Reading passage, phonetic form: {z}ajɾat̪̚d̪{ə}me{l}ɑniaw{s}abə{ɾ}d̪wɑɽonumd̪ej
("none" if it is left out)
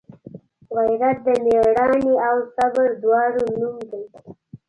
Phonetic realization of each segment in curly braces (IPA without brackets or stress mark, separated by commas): ɣ, ə, ɽ, s, ɾ